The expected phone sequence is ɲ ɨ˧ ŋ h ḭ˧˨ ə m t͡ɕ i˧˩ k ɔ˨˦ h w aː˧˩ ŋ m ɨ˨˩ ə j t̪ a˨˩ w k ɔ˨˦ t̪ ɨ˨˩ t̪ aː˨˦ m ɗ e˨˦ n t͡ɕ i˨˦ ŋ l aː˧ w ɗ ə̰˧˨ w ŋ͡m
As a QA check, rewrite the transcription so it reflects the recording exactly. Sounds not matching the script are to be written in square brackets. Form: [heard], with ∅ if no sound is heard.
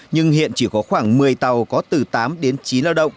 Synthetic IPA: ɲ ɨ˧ ŋ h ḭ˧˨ ə [n] t͡ɕ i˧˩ k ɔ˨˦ [x] w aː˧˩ ŋ m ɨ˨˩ ə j t̪ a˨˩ w k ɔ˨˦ t̪ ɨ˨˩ t̪ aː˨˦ m ɗ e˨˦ n t͡ɕ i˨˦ [n] l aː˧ w ɗ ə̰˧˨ w ŋ͡m